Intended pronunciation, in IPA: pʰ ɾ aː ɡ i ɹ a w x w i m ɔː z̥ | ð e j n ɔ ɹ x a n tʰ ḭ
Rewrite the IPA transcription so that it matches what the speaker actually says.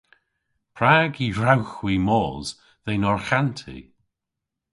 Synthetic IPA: pʰ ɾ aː ɡ i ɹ a w x w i m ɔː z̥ | ð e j n ɔ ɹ x a n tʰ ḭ